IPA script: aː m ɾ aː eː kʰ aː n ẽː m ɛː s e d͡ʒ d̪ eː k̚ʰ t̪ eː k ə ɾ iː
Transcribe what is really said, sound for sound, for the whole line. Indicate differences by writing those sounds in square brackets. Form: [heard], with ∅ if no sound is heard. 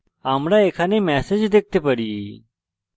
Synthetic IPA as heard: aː m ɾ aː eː kʰ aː n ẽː m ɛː s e d͡ʒ d̪ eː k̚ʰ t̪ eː [p] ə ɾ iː